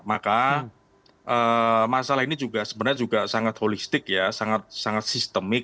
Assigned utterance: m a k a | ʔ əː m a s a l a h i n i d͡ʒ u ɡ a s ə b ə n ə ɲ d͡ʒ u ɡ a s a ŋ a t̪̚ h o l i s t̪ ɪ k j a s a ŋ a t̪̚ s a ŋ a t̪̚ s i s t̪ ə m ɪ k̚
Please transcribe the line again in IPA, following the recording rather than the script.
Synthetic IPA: m a k a | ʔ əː m a s a l a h i n i d͡ʒ u ɡ a s ə b ə n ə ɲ d͡ʒ u ɡ a s a ŋ a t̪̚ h o l i s t̪ ɪ k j a s a ŋ a t̪̚ s a ŋ a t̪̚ s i s t̪ ə m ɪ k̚